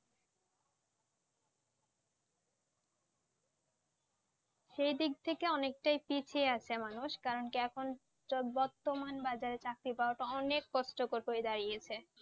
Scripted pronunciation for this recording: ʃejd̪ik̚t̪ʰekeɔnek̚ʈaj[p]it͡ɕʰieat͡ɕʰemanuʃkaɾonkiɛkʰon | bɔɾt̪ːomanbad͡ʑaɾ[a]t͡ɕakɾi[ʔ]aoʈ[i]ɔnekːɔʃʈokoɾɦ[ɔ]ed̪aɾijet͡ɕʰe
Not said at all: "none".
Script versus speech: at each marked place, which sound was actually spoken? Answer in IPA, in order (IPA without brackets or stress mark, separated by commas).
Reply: p, e, p, a, o